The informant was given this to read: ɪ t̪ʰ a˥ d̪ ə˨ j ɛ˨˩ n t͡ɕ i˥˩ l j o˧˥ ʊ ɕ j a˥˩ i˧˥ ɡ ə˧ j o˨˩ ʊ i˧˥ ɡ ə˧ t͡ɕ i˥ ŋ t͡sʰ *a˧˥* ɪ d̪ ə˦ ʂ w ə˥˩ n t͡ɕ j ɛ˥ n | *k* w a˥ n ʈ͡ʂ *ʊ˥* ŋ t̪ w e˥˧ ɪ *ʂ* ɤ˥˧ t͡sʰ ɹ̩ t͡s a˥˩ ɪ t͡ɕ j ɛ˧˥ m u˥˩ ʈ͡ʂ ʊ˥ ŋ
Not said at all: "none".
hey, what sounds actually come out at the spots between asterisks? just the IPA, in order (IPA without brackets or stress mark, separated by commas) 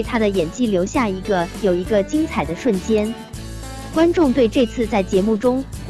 a˨˩, k, ʊ˥˧, ʈ͡ʂ